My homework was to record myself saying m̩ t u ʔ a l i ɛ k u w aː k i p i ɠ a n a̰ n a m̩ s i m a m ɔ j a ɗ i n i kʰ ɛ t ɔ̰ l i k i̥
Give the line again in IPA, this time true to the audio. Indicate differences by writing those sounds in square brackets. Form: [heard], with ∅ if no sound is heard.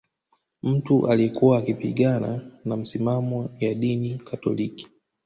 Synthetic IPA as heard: m̩ t u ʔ a l i ɛ k u w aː k i p i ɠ a n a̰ n a m̩ s i m a m ɔ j a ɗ i n i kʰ [a] t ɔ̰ l i k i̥

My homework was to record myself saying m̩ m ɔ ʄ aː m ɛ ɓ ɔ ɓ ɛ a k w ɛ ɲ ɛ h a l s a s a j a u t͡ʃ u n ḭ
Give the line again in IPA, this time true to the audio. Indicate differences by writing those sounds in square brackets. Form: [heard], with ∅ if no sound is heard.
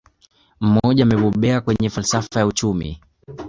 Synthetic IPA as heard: m̩ m ɔ ʄ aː m ɛ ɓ ɔ ɓ ɛ a k w ɛ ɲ ɛ [f] a l s a [f] a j a u t͡ʃ u [m] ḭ

